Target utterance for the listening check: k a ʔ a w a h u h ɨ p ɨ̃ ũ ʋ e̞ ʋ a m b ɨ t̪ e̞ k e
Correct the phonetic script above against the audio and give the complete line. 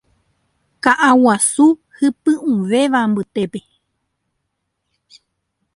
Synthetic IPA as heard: k a ʔ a w a s u h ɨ p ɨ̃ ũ ʋ e̞ ʋ a m b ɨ t̪ e̞ p e